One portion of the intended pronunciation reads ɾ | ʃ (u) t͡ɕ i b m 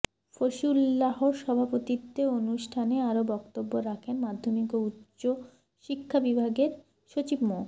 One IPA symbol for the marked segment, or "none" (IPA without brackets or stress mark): o